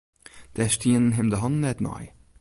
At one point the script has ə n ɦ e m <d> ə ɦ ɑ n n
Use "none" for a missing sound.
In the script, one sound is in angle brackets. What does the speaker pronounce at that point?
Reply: d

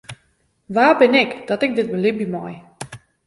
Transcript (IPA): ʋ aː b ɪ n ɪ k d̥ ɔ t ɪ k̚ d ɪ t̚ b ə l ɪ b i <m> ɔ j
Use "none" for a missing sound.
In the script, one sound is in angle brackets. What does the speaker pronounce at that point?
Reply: m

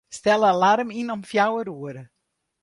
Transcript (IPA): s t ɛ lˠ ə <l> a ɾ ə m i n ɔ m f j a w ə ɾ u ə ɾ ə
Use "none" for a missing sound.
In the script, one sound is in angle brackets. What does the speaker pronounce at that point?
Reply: l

